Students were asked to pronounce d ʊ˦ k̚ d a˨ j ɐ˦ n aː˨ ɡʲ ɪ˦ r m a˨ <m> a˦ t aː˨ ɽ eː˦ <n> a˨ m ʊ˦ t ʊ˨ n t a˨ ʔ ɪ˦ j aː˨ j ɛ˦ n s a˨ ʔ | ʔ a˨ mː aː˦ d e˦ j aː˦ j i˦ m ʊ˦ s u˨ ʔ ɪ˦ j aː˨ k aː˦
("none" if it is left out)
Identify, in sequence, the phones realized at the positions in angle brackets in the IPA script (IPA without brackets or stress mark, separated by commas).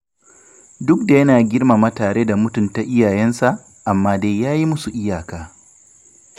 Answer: m, d